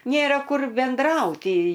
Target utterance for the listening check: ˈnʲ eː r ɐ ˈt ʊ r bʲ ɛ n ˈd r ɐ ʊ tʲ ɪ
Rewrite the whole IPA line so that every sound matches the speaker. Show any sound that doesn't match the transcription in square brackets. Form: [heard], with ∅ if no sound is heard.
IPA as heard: ˈnʲ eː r ɐ [ˈk] ʊ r bʲ ɛ n ˈd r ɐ ʊ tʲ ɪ